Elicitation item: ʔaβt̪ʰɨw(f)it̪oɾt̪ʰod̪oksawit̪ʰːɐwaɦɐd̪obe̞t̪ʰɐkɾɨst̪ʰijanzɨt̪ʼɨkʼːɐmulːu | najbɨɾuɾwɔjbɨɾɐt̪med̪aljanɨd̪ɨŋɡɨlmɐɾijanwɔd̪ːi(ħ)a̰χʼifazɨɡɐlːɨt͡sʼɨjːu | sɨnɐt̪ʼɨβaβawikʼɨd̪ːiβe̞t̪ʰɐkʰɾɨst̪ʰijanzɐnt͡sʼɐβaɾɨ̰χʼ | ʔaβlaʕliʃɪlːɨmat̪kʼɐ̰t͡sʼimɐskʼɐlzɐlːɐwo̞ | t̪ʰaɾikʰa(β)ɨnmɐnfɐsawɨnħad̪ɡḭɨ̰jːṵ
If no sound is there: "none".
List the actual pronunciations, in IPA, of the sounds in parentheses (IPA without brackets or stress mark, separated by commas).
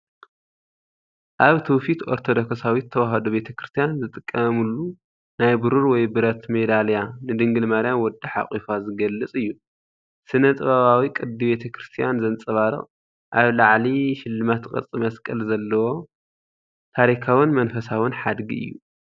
f, ħ, w